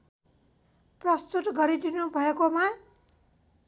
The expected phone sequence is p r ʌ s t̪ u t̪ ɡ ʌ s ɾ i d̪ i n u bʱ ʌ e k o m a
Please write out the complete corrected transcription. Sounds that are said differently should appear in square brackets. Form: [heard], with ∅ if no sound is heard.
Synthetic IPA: p r ʌ s t̪ u t̪ ɡ ʌ [∅] ɾ i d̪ i n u bʱ ʌ e k o m a